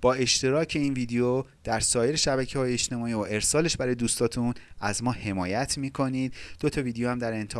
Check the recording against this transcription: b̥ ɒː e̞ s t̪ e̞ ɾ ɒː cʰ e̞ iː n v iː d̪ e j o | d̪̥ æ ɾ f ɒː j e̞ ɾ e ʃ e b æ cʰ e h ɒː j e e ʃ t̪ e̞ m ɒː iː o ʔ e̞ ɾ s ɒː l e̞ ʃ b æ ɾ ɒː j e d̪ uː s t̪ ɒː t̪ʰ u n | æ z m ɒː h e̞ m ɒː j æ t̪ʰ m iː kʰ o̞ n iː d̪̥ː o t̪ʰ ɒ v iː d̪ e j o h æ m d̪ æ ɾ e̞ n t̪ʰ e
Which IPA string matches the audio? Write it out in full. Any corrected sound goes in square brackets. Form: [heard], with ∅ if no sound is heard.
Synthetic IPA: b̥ ɒː e̞ [ʃ] t̪ e̞ ɾ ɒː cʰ e̞ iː n v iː d̪ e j o | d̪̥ æ ɾ [s] ɒː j e̞ ɾ e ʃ [æ] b æ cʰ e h ɒː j e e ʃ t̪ e̞ m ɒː iː o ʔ e̞ ɾ s ɒː l e̞ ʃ b æ ɾ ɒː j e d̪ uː s t̪ ɒː t̪ʰ u n | æ z m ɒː h e̞ m ɒː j æ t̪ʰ m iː kʰ o̞ n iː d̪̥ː o t̪ʰ ɒ v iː d̪ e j o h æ m d̪ æ ɾ e̞ n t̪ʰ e